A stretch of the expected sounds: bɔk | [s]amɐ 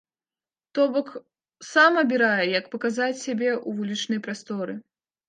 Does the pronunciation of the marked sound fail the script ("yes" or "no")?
no